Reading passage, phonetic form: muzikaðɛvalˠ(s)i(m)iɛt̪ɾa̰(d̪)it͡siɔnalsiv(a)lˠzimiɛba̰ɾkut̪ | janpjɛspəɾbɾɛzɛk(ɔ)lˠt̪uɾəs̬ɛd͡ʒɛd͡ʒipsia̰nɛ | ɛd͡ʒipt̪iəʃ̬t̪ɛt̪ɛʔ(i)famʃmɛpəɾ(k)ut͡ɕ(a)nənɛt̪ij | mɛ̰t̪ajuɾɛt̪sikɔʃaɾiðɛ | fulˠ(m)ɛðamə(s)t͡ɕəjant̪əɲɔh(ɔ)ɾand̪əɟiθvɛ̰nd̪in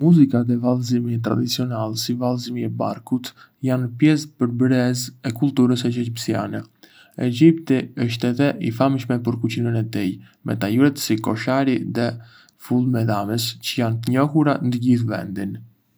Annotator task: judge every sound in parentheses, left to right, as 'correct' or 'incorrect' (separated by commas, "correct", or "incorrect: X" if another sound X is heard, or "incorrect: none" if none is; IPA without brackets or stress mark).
incorrect: z, correct, correct, correct, incorrect: u, correct, correct, incorrect: i, correct, correct, incorrect: u